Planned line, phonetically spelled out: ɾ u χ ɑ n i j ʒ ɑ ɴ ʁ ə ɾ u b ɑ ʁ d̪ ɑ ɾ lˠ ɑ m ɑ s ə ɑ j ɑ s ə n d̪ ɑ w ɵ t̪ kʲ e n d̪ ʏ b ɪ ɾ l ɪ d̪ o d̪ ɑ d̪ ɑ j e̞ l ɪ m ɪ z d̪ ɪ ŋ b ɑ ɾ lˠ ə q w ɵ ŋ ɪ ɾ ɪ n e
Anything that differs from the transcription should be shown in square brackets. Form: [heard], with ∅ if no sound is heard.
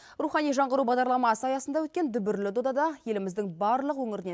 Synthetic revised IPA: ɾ u χ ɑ n i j ʒ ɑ ɴ ʁ ə ɾ u b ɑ ʁ d̪ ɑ ɾ lˠ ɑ m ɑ s ə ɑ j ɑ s ə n d̪ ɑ w ɵ t̪ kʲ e n d̪ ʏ b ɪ ɾ l ɪ d̪ o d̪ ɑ d̪ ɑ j e̞ l ɪ m ɪ z d̪ ɪ ŋ b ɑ ɾ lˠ ə q w ɵ ŋ ɪ ɾ ɪ n e